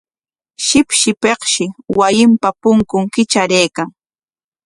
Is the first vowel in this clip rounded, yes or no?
no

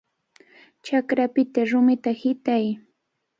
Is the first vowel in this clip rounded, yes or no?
no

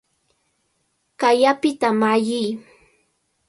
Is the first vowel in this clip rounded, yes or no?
no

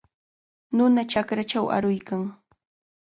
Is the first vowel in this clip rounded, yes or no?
yes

